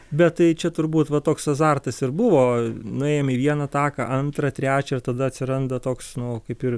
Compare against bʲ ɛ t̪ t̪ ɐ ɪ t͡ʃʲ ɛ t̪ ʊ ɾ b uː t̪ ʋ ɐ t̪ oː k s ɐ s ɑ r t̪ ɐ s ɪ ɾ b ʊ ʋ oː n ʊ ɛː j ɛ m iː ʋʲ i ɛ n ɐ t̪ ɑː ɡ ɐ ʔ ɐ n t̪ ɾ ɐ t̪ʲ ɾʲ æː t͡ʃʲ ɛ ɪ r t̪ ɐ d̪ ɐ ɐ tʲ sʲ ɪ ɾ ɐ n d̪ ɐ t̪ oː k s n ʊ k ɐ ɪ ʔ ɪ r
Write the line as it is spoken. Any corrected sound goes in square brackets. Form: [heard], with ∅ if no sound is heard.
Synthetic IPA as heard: bʲ ɛ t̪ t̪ ɐ ɪ t͡ʃʲ ɛ t̪ ʊ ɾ b uː t̪ ʋ ɐ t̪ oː k s ɐ [z] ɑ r t̪ ɐ s ɪ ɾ b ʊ ʋ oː n ʊ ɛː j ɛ m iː ʋʲ i ɛ n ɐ t̪ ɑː [k] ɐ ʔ ɐ n t̪ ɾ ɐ t̪ʲ ɾʲ æː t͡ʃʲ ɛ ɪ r t̪ ɐ d̪ ɐ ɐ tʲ sʲ ɪ ɾ ɐ n d̪ ɐ t̪ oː k s n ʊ k ɐ ɪ [p] ɪ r